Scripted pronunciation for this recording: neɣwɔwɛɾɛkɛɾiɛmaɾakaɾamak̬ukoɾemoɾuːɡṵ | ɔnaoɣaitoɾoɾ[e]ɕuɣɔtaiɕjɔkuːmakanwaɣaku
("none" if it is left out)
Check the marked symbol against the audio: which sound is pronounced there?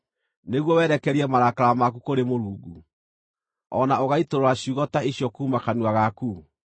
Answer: a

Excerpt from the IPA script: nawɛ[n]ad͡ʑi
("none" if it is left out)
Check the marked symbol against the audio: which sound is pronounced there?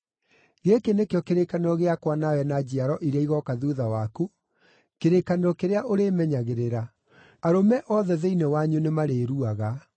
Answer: n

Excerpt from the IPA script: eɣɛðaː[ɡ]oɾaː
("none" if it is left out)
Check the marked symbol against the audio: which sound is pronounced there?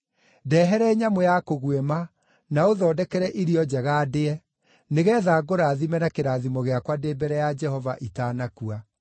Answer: ɡ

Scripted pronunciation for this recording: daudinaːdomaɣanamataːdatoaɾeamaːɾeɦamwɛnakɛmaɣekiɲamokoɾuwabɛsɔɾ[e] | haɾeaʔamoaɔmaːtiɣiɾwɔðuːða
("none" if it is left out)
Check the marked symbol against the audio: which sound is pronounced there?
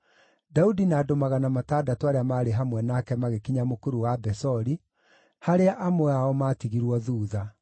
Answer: i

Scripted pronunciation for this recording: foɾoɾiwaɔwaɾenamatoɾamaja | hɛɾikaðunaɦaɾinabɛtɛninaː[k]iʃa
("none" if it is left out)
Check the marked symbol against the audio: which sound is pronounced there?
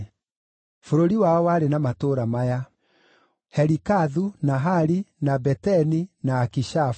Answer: k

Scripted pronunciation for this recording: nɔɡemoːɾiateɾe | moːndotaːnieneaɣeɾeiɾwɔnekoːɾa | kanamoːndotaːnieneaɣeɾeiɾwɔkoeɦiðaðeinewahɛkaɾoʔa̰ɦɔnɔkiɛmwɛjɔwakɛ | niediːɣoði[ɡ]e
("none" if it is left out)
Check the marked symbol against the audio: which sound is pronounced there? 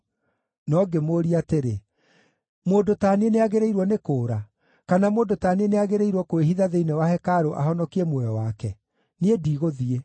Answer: none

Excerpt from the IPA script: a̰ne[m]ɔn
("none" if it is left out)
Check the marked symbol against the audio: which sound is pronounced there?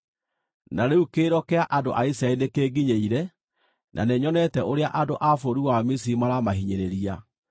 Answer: ɲ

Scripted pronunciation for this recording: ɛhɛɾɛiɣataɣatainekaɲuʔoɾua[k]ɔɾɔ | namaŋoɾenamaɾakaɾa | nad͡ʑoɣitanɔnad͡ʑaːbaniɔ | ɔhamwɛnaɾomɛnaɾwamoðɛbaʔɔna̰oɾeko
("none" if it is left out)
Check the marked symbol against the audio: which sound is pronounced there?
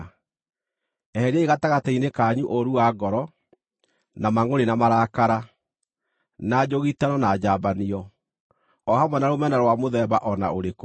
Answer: ɡ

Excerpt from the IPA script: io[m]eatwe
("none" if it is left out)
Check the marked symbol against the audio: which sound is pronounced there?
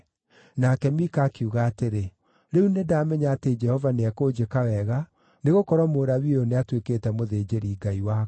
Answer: n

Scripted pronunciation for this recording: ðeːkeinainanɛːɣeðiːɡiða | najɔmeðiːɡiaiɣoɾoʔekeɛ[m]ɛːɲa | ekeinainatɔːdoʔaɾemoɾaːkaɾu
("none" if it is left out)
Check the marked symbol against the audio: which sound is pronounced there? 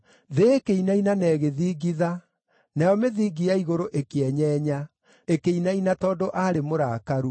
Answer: ɲ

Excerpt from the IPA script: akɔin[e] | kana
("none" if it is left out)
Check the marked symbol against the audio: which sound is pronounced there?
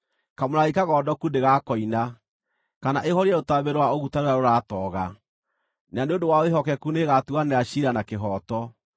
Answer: a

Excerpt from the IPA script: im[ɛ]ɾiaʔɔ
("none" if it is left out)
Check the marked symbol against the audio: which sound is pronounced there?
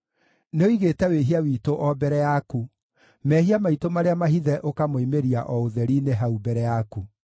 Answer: e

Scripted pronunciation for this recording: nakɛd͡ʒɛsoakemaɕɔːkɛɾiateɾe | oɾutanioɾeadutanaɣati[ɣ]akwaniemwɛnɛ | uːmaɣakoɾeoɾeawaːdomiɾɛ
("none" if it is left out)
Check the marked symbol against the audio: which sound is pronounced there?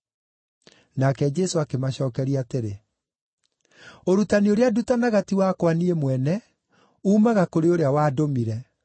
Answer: w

